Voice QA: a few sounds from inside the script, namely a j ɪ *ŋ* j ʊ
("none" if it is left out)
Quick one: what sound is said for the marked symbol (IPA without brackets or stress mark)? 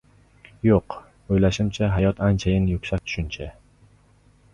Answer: n